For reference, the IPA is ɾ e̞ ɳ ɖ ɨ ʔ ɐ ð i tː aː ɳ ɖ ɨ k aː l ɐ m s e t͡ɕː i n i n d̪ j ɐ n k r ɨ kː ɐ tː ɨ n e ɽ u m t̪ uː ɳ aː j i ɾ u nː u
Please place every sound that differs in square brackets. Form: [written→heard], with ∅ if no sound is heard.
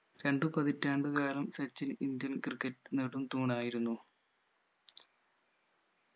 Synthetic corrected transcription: ɾ e̞ ɳ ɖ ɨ [ʔ→p] ɐ ð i tː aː ɳ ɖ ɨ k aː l ɐ m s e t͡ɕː i n i n d̪ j ɐ n k r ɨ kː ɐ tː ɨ n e ɽ u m t̪ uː ɳ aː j i ɾ u nː u